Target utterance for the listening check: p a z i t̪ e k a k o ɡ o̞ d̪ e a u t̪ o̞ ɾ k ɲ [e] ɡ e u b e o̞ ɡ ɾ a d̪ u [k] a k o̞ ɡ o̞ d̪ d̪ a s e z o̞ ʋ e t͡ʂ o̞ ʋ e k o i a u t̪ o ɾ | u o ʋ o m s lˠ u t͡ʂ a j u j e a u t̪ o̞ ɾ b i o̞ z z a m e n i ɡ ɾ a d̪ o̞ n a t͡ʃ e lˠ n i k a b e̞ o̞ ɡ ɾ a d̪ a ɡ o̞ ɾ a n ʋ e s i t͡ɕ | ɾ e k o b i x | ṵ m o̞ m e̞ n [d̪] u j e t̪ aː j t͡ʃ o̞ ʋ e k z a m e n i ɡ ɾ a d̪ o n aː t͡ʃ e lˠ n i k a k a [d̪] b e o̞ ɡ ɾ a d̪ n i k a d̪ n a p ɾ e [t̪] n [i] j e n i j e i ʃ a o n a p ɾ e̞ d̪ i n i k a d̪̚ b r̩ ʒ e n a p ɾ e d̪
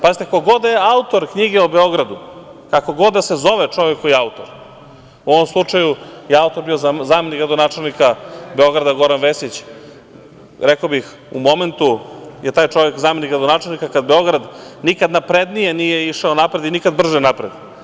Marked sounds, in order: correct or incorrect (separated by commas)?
incorrect, correct, incorrect, correct, incorrect, correct